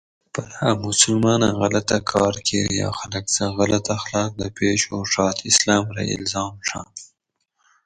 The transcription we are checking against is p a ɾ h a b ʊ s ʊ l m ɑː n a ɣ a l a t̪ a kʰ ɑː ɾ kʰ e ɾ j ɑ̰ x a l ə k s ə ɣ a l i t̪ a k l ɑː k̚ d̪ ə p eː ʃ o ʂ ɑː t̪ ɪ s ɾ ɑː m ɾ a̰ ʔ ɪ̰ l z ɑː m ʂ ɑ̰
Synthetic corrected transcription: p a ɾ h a m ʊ s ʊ l m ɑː n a ɣ a l a t̪ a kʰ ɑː ɾ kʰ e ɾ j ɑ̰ x a l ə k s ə ɣ a l a t̪ a x l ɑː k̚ d̪ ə p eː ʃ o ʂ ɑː t̪ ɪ s l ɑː m ɾ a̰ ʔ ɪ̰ l z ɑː m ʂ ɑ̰